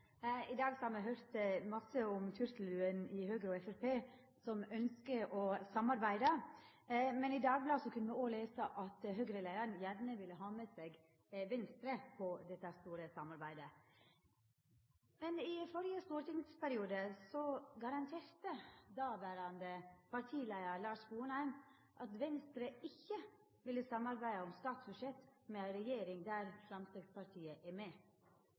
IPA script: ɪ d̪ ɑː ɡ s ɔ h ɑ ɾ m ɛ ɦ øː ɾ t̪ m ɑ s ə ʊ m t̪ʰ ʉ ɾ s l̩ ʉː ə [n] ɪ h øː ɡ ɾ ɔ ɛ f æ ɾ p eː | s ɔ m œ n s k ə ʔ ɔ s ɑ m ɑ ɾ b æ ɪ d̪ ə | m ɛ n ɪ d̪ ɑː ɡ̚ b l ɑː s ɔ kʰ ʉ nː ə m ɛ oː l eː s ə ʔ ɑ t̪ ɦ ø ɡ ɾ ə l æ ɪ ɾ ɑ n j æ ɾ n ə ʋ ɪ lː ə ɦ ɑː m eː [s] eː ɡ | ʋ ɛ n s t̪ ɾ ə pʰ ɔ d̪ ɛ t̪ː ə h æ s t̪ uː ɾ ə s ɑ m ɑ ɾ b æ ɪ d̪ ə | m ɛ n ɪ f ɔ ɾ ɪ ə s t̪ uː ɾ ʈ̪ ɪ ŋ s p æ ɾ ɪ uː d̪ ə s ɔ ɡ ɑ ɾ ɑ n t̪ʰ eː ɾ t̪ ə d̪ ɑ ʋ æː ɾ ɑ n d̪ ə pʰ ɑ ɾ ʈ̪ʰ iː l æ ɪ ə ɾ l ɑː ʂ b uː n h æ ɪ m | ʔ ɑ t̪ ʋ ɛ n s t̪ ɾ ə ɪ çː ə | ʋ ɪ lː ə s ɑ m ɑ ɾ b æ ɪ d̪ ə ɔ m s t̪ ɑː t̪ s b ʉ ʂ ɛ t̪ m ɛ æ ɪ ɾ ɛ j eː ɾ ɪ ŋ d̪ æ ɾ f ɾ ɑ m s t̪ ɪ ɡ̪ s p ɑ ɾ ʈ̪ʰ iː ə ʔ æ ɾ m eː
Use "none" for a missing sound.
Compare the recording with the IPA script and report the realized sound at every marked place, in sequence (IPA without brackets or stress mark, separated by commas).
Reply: n, s